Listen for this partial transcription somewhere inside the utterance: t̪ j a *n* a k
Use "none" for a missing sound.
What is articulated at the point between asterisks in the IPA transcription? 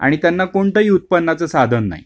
nː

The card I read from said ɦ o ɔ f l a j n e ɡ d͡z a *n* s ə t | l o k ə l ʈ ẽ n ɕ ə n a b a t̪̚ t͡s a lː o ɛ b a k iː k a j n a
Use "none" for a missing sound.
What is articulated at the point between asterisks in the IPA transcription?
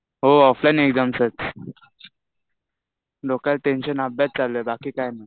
m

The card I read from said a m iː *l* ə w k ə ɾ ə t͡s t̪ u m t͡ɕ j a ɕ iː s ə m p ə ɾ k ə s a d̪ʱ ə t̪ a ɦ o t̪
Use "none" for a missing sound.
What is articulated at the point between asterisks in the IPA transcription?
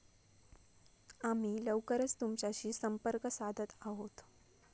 l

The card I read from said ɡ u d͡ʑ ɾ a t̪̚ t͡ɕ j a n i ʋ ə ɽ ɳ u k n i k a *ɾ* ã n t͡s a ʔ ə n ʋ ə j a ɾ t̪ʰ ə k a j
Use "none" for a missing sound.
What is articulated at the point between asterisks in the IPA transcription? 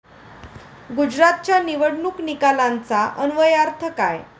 l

